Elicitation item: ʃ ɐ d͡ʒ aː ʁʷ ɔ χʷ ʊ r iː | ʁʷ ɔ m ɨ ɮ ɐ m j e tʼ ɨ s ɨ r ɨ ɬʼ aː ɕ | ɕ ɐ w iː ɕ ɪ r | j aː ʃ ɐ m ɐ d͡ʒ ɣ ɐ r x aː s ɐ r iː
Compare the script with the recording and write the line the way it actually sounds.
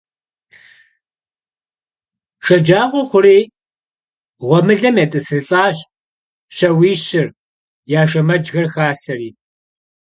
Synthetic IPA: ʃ ɐ d͡ʒ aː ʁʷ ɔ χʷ ʊ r iː | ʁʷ ɔ m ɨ ɮ ɐ m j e tʼ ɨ s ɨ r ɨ ɬʼ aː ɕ | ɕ ɐ w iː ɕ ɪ r | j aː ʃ ɐ m ɐ d͡ʒ ɣ ɐ r x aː s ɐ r iː

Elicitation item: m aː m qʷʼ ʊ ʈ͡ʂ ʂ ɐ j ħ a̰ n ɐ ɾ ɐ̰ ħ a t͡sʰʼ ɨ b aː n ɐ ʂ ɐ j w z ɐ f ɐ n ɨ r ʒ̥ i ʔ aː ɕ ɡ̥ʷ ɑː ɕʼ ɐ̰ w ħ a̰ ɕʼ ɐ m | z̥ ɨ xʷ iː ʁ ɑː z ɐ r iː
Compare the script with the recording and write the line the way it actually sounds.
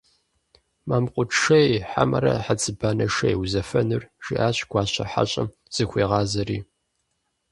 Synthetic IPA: m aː m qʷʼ ʊ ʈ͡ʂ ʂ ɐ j ħ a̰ m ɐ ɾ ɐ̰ ħ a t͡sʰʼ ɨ b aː n ɐ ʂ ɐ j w z ɐ f ɐ n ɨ r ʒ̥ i ʔ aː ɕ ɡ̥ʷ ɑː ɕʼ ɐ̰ ħ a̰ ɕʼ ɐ m | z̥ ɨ xʷ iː ʁ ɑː z ɐ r iː

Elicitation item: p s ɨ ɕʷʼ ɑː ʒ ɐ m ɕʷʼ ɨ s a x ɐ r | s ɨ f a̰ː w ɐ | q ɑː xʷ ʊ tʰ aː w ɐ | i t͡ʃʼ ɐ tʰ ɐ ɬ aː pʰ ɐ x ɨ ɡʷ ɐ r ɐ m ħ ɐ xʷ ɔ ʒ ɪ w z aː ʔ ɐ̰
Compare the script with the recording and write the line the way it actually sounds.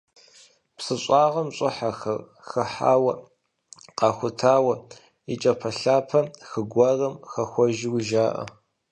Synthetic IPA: p s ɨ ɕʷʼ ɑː ʁ ɐ m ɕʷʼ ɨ ħ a x ɐ r | x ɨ ħ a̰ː w ɐ | q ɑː xʷ ʊ tʰ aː w ɐ | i t͡ʃʼ ɐ pʰ ɐ ɬ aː pʰ ɐ x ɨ ɡʷ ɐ r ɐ m x ɐ xʷ ɔ ʒ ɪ w ʒ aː ʔ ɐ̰

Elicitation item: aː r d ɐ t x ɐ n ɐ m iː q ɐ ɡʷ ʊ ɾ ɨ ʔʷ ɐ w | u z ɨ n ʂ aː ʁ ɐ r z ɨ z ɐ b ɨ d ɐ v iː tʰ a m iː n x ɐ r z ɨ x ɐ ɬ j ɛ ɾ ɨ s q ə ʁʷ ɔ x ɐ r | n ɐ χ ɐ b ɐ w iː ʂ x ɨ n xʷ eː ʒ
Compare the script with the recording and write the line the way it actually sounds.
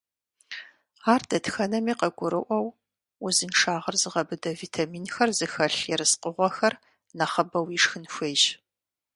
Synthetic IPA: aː r d ɐ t x ɐ n ɐ m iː q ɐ ɡʷ ʊ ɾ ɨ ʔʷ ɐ w | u z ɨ n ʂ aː ʁ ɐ r z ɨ ʁ ɐ b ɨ d ɐ v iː tʰ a m iː n x ɐ r z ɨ x ɐ ɬ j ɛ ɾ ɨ s q ə ʁʷ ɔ x ɐ r | n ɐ χ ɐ b ɐ w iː ʂ x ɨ n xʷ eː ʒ

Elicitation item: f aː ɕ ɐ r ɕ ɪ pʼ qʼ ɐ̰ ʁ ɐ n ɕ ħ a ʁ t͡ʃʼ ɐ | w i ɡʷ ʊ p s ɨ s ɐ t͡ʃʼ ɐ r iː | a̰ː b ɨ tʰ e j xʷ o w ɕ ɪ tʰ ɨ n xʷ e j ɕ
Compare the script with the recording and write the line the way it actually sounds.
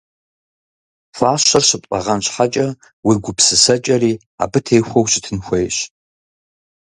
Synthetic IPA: f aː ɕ ɐ r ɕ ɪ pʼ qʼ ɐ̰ ʁ ɐ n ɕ ħ a t͡ʃʼ ɐ | w i ɡʷ ʊ p s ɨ s ɐ t͡ʃʼ ɐ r iː | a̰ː b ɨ tʰ e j xʷ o w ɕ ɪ tʰ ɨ n xʷ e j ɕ

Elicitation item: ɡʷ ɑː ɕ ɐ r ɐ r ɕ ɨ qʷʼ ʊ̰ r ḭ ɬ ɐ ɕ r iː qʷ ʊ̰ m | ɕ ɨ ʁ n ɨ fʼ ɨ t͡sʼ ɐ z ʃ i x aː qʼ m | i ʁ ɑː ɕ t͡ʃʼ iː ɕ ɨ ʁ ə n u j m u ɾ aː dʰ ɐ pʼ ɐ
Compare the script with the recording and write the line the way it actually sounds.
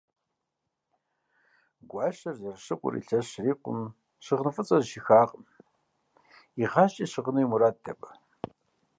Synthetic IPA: ɡʷ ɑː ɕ ɐ r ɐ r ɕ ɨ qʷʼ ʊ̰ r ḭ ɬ ɐ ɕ r iː qʷ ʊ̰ m | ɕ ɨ ʁ n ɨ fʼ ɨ t͡sʼ ɐ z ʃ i x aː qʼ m | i ʁ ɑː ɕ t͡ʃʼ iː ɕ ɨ ʁ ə n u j m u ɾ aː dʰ ɐ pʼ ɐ

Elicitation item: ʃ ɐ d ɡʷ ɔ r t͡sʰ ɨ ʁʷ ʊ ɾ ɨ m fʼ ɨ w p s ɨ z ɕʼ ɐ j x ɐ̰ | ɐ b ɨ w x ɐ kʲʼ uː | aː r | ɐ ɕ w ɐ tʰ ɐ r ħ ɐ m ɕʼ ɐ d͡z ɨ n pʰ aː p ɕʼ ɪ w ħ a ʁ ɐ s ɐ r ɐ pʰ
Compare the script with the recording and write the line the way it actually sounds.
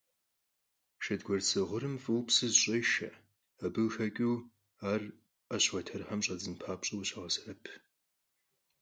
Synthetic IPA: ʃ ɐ d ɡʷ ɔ r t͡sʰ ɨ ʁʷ ʊ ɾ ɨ m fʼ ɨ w p s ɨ z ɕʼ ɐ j ʃ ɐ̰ | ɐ b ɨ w x ɐ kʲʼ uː | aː r | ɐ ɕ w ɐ tʰ ɐ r ħ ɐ m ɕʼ ɐ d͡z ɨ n pʰ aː p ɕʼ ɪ w ɕ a ʁ ɐ s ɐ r ɐ pʰ

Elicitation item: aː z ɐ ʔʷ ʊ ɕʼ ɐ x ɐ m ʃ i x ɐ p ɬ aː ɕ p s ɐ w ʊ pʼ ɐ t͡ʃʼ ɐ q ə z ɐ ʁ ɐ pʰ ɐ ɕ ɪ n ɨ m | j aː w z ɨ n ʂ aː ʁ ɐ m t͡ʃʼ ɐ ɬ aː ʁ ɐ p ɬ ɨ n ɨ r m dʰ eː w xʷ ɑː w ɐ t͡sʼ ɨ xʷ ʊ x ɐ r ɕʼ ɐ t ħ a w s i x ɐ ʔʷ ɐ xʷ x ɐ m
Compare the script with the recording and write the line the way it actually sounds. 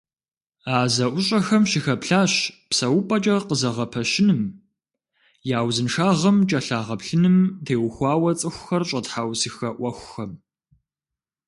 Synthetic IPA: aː z ɐ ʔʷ ʊ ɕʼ ɐ x ɐ m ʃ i x ɐ p ɬ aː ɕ p s ɐ w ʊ pʼ ɐ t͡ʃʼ ɐ q ə z ɐ ʁ ɐ pʰ ɐ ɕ ɪ n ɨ m | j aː w z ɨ n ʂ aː ʁ ɐ m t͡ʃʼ ɐ ɬ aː ʁ ɐ p ɬ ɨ n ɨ m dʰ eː w xʷ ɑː w ɐ t͡sʼ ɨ xʷ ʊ x ɐ r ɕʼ ɐ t ħ a w s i x ɐ ʔʷ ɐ xʷ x ɐ m

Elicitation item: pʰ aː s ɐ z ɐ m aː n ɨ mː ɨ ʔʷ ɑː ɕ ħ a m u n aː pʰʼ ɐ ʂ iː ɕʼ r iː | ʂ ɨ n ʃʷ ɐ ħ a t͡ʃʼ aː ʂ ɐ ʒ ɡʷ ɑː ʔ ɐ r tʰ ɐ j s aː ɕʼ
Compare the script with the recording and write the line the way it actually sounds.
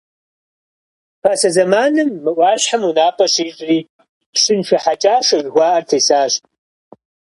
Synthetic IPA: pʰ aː s ɐ z ɐ m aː n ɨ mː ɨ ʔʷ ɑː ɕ ħ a m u n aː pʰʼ ɐ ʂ iː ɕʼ r iː | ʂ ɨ n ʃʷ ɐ ħ a t͡ʃʼ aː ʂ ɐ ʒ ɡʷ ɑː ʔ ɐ r tʰ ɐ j s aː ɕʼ

